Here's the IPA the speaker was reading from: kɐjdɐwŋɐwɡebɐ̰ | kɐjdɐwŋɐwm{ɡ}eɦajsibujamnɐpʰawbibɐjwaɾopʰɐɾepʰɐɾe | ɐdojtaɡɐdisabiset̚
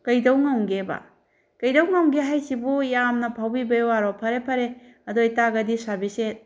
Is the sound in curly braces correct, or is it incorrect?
correct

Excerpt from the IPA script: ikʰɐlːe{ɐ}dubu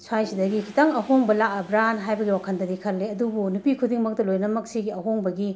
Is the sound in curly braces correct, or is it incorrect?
correct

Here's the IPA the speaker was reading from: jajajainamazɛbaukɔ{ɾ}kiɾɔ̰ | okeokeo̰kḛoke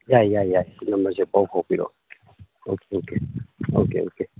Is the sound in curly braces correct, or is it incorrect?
incorrect: none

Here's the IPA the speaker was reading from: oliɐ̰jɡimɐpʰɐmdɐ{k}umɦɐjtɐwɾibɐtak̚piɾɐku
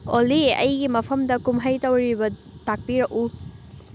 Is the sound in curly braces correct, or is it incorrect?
correct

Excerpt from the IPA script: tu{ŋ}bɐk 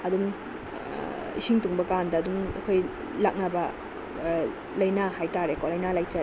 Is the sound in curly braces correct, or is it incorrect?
correct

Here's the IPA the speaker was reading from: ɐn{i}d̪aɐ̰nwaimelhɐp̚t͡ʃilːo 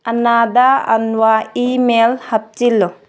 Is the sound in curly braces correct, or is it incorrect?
incorrect: a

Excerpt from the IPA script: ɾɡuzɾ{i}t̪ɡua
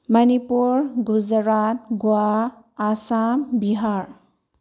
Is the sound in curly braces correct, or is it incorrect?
incorrect: a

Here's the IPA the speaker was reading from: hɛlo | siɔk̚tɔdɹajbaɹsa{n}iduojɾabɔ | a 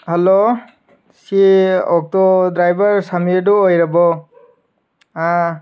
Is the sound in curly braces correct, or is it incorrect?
incorrect: m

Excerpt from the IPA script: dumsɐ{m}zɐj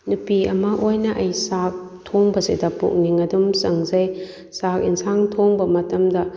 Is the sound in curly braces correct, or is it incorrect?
incorrect: ŋ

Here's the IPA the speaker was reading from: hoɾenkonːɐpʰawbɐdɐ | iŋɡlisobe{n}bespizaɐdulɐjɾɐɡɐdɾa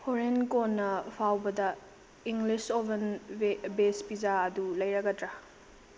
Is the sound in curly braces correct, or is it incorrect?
correct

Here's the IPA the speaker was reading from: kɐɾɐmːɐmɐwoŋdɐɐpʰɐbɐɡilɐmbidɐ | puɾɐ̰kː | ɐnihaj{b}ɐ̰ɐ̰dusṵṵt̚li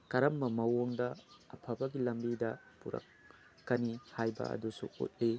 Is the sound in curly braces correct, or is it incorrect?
correct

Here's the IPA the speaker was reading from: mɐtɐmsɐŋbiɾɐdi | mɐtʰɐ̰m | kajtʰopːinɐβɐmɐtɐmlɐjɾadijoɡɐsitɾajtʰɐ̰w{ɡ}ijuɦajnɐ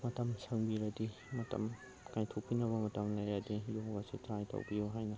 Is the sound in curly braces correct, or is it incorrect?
incorrect: b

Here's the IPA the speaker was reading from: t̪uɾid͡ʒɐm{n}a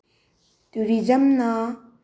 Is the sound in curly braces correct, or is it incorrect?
correct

